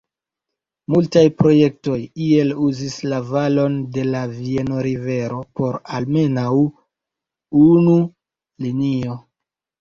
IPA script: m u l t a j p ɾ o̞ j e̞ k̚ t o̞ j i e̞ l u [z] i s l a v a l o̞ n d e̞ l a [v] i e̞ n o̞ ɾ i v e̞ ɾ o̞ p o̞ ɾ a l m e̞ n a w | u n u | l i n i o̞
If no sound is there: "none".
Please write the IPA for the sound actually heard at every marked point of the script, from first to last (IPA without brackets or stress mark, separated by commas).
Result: z, v